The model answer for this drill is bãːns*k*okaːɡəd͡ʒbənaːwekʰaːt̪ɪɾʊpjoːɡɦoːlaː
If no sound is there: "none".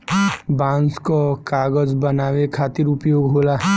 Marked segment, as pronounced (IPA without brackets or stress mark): k